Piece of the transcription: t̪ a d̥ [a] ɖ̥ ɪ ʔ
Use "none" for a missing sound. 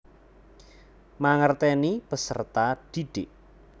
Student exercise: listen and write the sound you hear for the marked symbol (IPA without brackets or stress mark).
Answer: i